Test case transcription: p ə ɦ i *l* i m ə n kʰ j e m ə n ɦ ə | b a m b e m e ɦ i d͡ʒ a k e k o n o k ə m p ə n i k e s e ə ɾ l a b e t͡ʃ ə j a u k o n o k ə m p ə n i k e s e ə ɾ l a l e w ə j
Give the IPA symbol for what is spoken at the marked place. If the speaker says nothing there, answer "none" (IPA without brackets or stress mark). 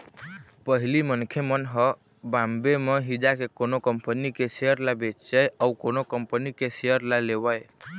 l